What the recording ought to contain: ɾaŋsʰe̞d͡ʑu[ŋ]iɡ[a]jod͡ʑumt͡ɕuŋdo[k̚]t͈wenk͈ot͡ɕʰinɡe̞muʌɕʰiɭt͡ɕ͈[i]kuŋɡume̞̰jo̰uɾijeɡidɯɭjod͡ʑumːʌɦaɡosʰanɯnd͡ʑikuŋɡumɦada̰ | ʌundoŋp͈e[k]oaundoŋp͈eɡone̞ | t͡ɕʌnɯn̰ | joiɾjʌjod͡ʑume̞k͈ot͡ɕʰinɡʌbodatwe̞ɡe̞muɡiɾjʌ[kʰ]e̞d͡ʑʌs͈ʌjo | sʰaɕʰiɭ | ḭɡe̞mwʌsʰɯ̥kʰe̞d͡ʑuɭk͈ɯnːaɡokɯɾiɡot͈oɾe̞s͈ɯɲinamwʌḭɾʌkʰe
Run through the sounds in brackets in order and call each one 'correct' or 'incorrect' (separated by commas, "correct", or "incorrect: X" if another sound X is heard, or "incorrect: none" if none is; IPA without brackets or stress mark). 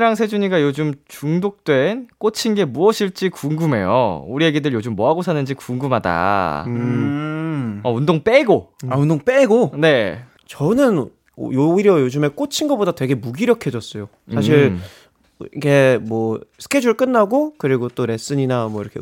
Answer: incorrect: ɲ, correct, correct, correct, incorrect: ɡ, correct